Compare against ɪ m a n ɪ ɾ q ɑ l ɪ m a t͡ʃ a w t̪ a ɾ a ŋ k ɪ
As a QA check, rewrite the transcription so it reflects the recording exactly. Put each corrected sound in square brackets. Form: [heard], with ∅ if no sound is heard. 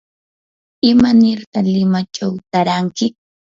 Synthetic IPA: ɪ m a n ɪ ɾ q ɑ l ɪ m a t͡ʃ a w t̪ a ɾ a ŋ k ɪ

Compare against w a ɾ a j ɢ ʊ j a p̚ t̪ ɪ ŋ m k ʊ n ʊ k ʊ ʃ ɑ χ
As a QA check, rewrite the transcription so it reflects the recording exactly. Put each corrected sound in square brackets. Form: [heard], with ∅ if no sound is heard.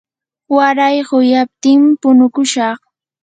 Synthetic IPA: w a ɾ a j ɢ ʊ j a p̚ t̪ ɪ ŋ m [p] ʊ n ʊ k ʊ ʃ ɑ χ

